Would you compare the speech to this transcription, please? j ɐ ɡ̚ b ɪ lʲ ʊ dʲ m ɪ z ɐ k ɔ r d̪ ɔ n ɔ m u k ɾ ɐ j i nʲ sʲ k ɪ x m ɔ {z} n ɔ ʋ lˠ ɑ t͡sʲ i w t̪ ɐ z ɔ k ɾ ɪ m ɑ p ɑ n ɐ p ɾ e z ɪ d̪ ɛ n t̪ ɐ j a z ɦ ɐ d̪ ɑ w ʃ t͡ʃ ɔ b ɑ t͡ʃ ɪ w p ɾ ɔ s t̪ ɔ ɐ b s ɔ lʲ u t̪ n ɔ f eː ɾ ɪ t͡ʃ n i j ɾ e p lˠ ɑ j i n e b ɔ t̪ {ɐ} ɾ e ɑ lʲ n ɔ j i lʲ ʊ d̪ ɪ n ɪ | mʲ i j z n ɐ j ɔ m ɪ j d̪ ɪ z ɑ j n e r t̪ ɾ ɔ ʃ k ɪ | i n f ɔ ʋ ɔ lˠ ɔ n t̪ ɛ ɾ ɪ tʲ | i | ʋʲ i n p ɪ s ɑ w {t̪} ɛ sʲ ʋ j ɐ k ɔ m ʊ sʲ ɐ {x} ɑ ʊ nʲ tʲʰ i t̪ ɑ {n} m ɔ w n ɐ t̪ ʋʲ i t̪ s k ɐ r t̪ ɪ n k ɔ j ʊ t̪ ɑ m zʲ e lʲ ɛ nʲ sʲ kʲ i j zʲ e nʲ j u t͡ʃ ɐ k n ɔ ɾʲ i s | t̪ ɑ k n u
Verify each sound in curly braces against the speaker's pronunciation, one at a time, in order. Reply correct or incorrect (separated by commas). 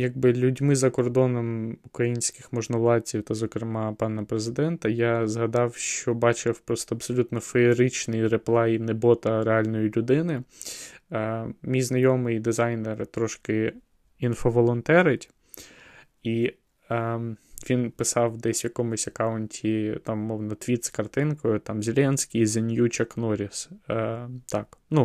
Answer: incorrect, correct, incorrect, incorrect, incorrect